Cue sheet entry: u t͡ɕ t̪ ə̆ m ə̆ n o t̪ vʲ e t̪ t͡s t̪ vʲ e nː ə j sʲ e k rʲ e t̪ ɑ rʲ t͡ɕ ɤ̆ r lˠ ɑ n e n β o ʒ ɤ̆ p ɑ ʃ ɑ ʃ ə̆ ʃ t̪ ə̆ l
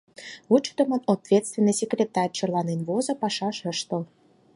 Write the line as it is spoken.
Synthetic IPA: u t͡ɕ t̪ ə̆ m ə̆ n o t̪ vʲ e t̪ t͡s t̪ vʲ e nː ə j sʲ e k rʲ e t̪ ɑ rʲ t͡ɕ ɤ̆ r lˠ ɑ n e n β o z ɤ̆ p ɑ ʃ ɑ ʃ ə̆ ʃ t̪ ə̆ l